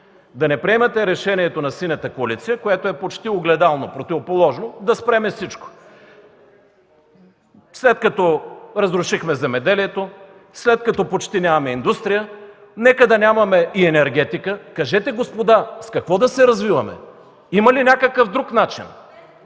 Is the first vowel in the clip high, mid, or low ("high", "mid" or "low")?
low